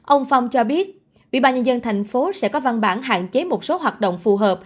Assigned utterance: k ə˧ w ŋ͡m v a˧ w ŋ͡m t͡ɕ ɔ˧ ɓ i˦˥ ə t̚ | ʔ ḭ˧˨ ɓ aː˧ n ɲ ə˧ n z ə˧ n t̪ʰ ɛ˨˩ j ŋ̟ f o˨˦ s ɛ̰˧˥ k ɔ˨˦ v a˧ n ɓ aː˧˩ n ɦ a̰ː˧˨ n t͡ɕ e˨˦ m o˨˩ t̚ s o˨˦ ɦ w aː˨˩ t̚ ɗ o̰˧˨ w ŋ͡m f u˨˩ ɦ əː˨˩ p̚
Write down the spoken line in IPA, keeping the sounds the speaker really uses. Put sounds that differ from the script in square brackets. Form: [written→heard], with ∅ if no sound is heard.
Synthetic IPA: [k→ʔ] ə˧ w ŋ͡m [v→f] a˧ w ŋ͡m t͡ɕ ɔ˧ ɓ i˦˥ ə t̚ | ʔ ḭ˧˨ ɓ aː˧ n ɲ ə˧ n z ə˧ n t̪ʰ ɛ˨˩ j ŋ̟ f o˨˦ s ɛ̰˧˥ k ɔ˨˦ v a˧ n ɓ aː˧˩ n ɦ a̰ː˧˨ n t͡ɕ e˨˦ m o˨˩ t̚ s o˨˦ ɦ w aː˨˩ t̚ ɗ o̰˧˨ w ŋ͡m f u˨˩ ɦ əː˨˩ p̚